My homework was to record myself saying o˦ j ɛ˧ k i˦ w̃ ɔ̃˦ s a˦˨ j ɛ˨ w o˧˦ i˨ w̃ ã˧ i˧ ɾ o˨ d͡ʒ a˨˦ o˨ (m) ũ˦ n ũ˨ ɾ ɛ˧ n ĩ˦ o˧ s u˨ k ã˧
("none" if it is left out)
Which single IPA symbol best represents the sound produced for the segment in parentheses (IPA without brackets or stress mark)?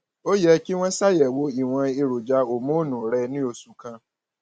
m